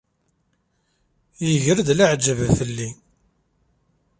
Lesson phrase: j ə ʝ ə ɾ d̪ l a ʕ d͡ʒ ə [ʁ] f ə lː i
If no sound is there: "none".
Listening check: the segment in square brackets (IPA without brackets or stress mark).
v